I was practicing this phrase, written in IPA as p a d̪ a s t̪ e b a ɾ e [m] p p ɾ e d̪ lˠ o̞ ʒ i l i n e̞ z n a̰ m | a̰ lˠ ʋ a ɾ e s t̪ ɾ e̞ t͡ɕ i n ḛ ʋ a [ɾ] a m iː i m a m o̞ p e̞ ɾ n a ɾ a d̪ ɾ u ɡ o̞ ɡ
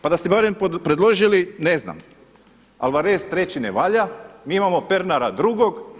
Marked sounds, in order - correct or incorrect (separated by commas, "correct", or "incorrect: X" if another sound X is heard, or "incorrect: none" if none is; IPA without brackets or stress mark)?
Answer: correct, incorrect: ʎ